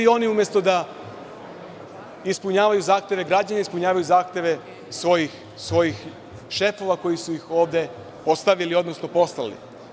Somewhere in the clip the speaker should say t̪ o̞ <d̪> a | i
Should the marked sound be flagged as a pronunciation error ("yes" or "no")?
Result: no